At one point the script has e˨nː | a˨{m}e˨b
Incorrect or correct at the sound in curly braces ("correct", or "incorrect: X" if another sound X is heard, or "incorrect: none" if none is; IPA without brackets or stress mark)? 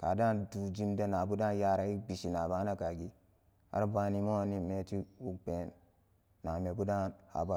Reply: correct